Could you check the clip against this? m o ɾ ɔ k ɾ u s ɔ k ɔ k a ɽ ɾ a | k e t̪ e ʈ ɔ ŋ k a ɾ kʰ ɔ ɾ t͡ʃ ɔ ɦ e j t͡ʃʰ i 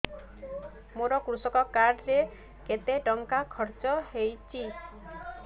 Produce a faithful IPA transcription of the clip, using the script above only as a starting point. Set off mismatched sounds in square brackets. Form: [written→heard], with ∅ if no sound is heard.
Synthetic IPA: m o ɾ ɔ k ɾ u s ɔ k ɔ k a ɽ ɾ [a→e] | k e t̪ e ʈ ɔ ŋ k a [ɾ→∅] kʰ ɔ ɾ t͡ʃ ɔ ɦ e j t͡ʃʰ i